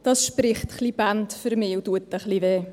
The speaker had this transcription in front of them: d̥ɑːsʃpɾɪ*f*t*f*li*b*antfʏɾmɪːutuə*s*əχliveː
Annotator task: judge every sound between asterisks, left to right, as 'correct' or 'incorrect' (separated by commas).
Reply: incorrect, incorrect, correct, incorrect